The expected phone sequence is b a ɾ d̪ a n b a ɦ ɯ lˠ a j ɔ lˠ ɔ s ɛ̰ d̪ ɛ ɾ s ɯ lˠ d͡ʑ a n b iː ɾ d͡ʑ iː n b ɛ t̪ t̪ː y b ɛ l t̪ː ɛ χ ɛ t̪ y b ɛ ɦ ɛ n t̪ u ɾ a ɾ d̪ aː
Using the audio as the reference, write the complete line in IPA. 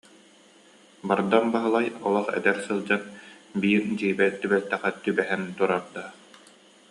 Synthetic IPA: b a ɾ d̪ a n b a ɦ ɯ lˠ a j ɔ lˠ ɔ χ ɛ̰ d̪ ɛ ɾ s ɯ lˠ d͡ʑ a n b iː ɾ d͡ʑ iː b ɛ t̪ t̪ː y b ɛ l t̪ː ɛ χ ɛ t̪ y b ɛ ɦ ɛ n t̪ u ɾ a ɾ d̪ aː